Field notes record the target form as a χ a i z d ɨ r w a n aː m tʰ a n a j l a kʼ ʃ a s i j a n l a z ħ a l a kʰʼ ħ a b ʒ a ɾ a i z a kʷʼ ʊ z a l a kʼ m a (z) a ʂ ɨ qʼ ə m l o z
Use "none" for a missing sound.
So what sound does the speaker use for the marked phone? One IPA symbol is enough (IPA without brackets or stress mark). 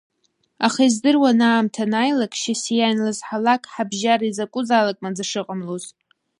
d͡z